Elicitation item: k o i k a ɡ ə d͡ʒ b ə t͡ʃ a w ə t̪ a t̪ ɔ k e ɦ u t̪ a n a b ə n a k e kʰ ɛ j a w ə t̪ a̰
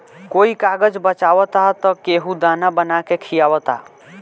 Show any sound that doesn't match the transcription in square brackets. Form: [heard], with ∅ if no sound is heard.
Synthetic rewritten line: k o i k a ɡ ə d͡ʒ b ə t͡ʃ a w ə t̪ a t̪ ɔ k e ɦ u [d̪] a n a b ə n a k e kʰ [i] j a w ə t̪ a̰